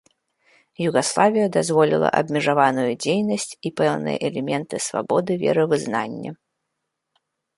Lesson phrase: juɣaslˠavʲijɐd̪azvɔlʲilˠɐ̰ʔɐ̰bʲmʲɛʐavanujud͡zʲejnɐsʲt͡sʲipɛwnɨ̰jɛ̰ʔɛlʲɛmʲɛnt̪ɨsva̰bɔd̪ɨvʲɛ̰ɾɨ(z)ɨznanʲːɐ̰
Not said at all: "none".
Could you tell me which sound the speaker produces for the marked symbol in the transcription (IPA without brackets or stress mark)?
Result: v